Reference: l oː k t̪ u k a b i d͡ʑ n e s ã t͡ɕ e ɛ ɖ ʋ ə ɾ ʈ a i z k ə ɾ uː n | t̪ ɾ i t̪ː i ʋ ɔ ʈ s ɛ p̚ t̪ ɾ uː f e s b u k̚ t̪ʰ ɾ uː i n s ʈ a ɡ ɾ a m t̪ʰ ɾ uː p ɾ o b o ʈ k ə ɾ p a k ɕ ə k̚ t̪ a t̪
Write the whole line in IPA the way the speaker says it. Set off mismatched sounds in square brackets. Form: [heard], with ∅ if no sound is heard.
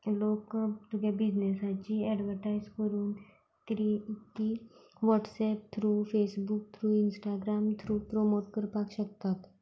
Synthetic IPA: l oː k t̪ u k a b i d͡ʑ n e s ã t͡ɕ [i] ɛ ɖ ʋ ə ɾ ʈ a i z k ə ɾ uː n | t̪ ɾ i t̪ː i ʋ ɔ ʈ s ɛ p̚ [t̪ʰ] ɾ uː f e s b u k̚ t̪ʰ ɾ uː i n s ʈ a ɡ ɾ a m t̪ʰ ɾ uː p ɾ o [m] o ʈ k ə ɾ p a k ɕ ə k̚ t̪ a t̪